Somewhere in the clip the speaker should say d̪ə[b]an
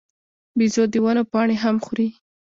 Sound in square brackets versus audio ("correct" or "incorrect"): incorrect